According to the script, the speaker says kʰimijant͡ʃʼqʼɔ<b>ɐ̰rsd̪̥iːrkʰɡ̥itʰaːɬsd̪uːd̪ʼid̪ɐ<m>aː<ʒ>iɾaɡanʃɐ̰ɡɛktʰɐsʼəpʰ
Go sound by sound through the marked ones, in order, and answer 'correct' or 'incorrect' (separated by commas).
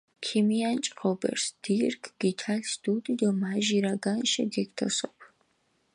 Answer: correct, correct, correct